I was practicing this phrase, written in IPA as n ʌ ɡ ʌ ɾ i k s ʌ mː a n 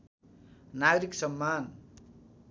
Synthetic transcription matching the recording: n a ɡ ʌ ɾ i k s ʌ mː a n